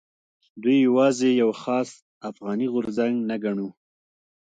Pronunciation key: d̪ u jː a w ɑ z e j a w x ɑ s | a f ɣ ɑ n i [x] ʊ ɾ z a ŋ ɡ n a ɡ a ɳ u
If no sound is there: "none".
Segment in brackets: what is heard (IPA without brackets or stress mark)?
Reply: ɣ